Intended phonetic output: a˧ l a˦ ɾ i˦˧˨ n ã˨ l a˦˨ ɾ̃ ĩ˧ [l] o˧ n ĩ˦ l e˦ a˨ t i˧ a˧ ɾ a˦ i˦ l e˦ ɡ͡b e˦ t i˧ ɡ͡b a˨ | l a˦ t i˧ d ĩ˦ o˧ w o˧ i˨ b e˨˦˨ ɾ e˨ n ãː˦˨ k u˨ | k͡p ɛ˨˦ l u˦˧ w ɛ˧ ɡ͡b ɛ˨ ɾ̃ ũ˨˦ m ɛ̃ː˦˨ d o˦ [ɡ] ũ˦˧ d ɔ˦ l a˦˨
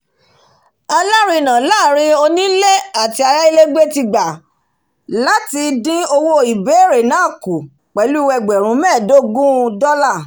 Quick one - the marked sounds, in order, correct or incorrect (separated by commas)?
incorrect, correct